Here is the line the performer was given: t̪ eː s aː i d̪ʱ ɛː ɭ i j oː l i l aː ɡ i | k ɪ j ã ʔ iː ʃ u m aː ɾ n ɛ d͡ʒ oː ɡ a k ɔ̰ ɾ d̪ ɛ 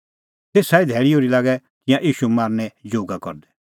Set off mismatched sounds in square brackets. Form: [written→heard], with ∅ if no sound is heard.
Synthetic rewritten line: t̪ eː s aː i d̪ʱ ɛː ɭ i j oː [l→ɾ] i l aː ɡ [i→ɛ] | k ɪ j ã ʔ iː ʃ u m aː ɾ n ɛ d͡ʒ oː ɡ a k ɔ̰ ɾ d̪ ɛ